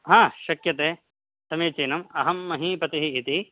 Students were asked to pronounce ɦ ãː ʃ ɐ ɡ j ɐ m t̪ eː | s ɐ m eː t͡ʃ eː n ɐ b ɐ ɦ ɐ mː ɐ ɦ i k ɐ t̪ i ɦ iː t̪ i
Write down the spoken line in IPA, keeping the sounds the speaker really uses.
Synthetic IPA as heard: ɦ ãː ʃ ɐ k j ɐ t̪ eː | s ɐ m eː t͡ʃ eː n ɐ m ɐ ɦ ɐ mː ɐ ɦ i p ɐ t̪ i ɦ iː t̪ i